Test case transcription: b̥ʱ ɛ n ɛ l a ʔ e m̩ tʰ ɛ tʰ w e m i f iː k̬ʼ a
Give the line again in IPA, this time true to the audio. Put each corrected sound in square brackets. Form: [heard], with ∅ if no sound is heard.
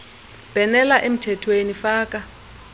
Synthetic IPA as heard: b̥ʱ ɛ n ɛ l a ʔ e m̩ tʰ ɛ tʰ w e [n] i f [aː] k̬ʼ a